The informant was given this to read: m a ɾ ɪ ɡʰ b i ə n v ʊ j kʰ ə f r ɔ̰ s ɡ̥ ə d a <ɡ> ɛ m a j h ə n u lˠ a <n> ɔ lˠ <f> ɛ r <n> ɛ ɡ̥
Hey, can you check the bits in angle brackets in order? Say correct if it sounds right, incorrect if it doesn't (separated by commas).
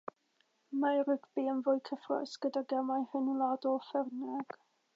correct, incorrect, correct, correct